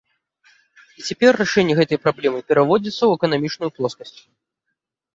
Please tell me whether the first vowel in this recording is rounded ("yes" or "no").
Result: no